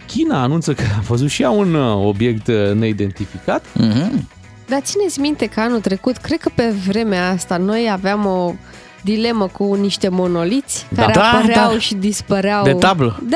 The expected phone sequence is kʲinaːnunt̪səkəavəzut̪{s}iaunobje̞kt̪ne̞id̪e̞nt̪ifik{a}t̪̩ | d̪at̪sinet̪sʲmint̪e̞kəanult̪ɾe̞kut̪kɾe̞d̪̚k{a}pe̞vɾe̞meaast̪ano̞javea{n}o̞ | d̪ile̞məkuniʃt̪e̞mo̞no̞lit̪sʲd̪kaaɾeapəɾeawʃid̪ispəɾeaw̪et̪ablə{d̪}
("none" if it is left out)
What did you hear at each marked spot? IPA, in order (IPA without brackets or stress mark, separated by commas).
ʃ, a, ə, m, d̪